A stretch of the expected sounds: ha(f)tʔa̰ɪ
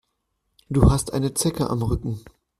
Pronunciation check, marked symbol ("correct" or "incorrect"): incorrect